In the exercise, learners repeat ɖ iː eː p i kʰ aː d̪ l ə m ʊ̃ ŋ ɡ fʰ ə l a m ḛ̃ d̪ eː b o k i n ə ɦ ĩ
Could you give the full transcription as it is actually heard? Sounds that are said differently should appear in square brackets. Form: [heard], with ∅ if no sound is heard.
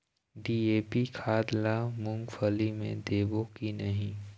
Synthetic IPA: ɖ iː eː p i kʰ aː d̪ l [a] m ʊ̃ ŋ ɡ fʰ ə l [i] m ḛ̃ d̪ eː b o k i n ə ɦ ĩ